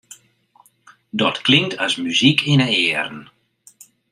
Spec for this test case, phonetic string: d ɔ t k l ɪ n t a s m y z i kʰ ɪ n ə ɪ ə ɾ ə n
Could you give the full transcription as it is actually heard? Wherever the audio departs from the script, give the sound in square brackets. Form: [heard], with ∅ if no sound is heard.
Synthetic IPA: d ɔ t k l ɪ [ŋ] t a s m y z i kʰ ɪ n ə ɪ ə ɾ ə n